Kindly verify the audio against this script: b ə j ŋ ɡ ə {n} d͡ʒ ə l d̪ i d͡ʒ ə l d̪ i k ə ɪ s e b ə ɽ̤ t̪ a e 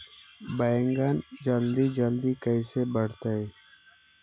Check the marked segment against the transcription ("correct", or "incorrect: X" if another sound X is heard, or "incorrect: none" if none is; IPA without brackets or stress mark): correct